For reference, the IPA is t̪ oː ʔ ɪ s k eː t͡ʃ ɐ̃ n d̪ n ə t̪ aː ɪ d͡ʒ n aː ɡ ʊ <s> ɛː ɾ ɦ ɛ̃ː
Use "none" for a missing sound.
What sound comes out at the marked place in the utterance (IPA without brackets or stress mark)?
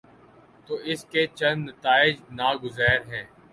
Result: z